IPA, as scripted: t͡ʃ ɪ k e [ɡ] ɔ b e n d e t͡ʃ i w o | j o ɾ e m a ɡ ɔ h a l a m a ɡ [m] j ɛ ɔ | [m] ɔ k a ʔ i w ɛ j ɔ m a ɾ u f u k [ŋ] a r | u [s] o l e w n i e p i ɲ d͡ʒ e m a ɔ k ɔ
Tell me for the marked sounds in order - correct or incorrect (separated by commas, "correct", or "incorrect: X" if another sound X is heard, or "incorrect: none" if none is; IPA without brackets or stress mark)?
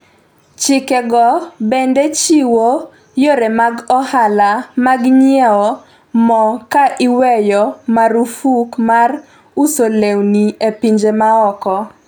correct, incorrect: ɲ, correct, incorrect: m, correct